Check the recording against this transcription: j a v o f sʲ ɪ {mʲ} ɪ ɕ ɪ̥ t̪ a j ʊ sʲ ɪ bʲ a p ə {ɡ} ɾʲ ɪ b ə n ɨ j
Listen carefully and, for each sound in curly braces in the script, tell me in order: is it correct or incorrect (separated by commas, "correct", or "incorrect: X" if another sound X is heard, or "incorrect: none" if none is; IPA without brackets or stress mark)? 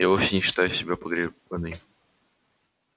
incorrect: nʲ, correct